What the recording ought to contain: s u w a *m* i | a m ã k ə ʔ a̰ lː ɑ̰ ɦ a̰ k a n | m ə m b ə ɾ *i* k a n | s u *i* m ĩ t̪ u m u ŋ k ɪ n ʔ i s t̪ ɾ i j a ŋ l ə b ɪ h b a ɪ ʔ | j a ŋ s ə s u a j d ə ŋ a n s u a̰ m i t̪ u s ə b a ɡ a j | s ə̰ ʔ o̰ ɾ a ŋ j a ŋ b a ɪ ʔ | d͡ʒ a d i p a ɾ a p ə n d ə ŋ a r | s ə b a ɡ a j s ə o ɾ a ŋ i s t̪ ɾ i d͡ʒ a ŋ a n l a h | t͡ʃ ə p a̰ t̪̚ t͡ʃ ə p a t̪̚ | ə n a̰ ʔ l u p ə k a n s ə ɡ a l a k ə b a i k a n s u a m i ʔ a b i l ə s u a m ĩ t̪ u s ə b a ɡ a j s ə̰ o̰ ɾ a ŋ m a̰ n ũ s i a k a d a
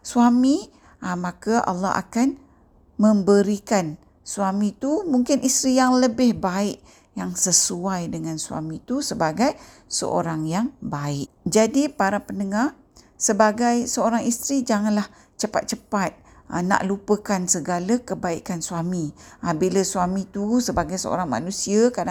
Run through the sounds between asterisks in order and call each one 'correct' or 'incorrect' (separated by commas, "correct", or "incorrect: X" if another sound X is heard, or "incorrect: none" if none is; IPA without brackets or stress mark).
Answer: correct, correct, incorrect: a